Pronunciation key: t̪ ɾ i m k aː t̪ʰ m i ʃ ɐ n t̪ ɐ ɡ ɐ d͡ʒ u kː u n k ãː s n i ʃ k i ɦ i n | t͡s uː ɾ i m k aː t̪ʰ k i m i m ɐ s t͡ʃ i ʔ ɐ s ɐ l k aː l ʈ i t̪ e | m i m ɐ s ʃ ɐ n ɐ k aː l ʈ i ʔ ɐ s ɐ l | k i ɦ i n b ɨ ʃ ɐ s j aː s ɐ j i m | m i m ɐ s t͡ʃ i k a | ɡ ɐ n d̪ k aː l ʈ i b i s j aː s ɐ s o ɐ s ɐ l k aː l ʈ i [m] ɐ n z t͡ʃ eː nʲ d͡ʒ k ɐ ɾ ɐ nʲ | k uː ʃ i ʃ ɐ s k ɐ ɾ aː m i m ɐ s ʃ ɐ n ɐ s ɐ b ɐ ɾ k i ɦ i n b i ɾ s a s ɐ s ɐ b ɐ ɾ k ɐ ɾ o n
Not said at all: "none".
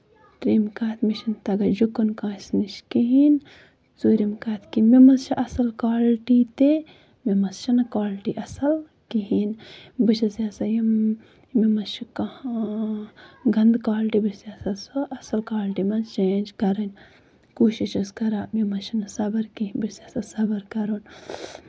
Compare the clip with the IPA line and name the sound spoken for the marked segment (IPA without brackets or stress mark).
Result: m